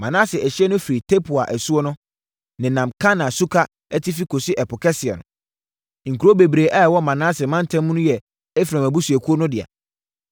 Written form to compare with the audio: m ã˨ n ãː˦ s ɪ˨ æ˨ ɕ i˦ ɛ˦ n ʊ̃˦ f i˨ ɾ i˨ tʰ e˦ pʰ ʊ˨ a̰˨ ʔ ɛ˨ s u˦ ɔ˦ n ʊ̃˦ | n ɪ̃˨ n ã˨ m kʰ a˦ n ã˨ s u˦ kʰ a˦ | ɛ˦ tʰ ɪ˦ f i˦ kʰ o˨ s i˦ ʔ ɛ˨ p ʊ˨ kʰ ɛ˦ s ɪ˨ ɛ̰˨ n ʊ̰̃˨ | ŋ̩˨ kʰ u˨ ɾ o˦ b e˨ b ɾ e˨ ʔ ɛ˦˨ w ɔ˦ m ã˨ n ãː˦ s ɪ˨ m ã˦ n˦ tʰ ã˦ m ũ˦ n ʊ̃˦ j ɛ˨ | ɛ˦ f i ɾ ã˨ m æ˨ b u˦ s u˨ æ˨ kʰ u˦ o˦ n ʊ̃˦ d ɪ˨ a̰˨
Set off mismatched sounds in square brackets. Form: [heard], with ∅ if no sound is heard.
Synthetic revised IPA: m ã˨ n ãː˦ s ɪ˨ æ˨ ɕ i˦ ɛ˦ n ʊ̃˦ f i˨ ɾ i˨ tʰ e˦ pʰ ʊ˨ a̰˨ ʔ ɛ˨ s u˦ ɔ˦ n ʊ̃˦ | n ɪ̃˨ n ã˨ m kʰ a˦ n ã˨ s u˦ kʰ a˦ | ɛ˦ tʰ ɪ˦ f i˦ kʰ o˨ s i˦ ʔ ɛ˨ p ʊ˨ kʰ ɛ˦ s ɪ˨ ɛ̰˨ n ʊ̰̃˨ | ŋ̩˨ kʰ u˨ ɾ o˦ b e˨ b ɾ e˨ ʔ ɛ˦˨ w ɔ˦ m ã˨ n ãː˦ s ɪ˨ m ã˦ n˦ tʰ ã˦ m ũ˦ n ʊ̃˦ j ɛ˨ | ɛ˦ f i ɾ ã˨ m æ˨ b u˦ s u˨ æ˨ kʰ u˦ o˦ n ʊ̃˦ d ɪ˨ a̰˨